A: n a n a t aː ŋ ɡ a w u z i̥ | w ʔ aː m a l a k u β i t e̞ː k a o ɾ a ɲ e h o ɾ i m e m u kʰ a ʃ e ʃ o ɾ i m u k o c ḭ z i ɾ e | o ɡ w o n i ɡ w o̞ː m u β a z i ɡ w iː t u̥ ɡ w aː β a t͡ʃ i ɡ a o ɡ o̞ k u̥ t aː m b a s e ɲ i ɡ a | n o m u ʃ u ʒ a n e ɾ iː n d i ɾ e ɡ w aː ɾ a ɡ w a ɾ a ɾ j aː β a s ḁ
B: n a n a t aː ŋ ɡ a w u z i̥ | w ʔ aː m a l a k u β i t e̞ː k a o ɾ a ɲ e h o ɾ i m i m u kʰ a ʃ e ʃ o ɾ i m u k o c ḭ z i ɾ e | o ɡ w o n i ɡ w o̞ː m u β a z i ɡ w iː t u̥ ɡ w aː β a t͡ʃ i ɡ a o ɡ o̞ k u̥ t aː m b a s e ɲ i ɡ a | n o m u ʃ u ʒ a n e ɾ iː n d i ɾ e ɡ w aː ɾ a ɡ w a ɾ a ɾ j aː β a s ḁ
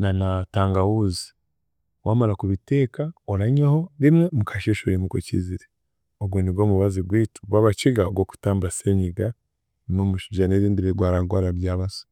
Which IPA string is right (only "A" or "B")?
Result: A